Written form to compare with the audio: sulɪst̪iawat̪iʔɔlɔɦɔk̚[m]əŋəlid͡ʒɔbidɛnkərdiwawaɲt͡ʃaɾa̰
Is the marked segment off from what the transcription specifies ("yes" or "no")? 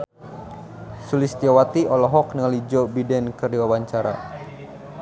yes